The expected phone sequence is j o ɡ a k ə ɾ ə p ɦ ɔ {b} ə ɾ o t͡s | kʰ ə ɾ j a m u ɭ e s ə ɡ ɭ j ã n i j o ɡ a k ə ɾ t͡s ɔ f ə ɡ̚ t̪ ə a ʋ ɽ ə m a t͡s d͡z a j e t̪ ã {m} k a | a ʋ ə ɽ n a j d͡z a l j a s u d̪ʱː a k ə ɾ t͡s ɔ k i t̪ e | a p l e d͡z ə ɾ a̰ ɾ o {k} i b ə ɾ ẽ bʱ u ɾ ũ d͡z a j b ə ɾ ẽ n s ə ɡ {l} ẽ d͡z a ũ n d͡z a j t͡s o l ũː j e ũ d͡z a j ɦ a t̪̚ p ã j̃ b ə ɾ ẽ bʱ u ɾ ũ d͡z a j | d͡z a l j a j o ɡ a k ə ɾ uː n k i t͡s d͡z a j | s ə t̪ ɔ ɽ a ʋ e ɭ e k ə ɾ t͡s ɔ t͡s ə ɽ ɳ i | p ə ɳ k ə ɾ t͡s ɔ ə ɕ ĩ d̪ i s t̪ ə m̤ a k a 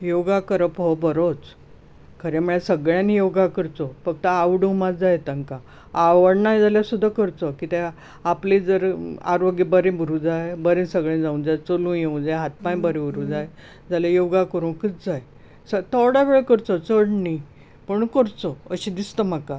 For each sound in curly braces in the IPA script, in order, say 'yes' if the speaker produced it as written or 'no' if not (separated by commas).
yes, no, no, no